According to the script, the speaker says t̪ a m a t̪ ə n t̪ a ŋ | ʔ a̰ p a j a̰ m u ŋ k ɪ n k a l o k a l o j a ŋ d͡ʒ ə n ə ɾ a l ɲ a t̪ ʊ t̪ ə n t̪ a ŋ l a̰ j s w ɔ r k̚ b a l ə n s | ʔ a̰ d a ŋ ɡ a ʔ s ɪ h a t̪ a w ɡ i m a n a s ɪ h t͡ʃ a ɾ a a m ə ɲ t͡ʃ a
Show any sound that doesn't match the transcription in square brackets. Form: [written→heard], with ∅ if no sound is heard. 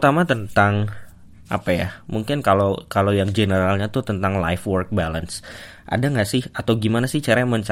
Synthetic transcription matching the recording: t̪ a m a t̪ ə n t̪ a ŋ | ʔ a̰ p a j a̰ m u ŋ k ɪ n k a l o k a l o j a ŋ d͡ʒ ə n ə ɾ a l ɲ a t̪ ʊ t̪ ə n t̪ a ŋ l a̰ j [s→f] w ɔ r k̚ b a l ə n s | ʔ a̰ d a ŋ ɡ a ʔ s ɪ h a t̪ a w ɡ i m a n a s ɪ h t͡ʃ a ɾ a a m ə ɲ t͡ʃ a